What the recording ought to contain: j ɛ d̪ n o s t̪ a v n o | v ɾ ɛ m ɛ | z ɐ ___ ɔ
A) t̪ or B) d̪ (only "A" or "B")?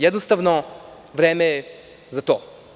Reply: A